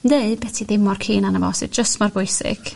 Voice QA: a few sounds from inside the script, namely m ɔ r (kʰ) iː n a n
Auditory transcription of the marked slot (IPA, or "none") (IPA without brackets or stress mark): kʰ